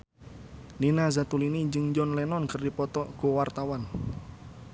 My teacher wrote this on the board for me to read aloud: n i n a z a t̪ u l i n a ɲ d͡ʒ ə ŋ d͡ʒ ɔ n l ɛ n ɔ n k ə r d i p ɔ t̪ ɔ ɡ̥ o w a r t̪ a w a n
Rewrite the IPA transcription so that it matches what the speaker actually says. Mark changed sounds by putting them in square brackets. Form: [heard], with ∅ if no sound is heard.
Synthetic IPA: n i n a z a t̪ u l i n [i] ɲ d͡ʒ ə ŋ d͡ʒ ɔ n l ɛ n ɔ n k ə r d i p ɔ t̪ ɔ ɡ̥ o w a r t̪ a w a n